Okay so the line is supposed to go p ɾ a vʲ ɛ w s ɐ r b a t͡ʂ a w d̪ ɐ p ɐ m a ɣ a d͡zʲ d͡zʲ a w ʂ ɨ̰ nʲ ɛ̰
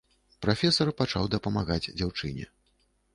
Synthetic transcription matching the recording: p ɾ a fʲ ɛ s ɐ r p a t͡ʂ a w d̪ ɐ p ɐ m a ɣ a d͡zʲ d͡zʲ a w t͡ʂ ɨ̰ nʲ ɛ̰